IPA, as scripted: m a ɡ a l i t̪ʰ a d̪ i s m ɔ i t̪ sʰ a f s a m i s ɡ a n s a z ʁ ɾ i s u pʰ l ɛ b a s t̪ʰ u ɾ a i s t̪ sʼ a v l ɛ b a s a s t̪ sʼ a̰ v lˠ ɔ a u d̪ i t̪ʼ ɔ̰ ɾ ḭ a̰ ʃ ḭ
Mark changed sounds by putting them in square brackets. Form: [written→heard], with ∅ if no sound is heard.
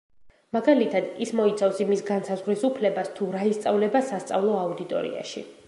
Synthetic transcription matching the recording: m a ɡ a l i t̪ʰ a d̪ i s m ɔ i t̪ sʰ a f s [a→i] m i s ɡ a n s a z ʁ ɾ i s u pʰ l ɛ b a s t̪ʰ u ɾ a i s t̪ sʼ a v l ɛ b a s a s t̪ sʼ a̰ v lˠ ɔ a u d̪ i t̪ʼ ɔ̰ ɾ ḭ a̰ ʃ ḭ